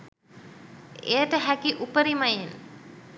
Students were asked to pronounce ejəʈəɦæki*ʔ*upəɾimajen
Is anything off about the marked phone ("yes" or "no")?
no